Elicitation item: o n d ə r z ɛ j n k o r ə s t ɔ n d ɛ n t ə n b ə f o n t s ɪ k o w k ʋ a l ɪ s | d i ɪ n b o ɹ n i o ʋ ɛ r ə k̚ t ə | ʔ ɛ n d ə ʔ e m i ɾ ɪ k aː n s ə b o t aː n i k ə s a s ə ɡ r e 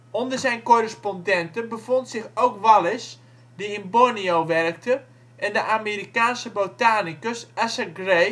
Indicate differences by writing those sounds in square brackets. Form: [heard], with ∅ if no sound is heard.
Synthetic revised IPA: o n d ə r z ɛ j n k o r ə s [p] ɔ n d ɛ n t ə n b ə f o n t s ɪ [x] o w k ʋ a l ɪ s | d i ɪ n b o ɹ n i o ʋ ɛ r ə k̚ t ə | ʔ ɛ n d ə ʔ [a] m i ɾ [i] k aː n s ə b o t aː n i k ə s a s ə ɡ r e

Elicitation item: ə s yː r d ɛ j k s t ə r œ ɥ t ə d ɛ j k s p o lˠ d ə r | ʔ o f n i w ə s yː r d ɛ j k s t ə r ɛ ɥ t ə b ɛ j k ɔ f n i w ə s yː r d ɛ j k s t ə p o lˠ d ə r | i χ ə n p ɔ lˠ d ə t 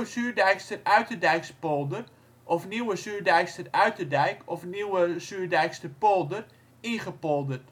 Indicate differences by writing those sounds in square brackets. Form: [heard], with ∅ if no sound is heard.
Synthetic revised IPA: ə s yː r d ɛ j k s t ə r œ ɥ t ə d ɛ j k s p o lˠ d ə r | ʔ [ɔ] f n i w ə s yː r d ɛ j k s t ə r [œ] ɥ t ə [d] ɛ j k ɔ f n i w ə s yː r d ɛ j k s t ə p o lˠ d ə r | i χ ə [∅] p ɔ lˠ d ə t

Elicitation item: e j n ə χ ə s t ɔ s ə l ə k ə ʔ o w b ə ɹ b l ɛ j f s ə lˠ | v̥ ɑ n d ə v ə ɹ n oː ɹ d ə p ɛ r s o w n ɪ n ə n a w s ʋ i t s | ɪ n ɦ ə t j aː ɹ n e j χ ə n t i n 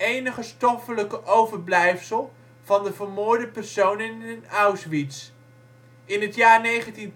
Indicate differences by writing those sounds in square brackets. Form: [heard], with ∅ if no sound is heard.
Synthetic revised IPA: e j n ə χ ə s t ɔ [f] ə l ə k ə ʔ o w [v] ə ɹ b l ɛ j f s ə lˠ | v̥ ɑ n d ə v ə ɹ [m] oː ɹ d ə p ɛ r s o w n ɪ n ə n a w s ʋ i t s | ɪ n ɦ ə t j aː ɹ n e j χ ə n t i n

